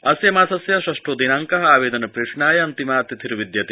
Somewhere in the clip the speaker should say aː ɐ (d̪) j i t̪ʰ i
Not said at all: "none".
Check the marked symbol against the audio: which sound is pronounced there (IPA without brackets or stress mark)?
t̪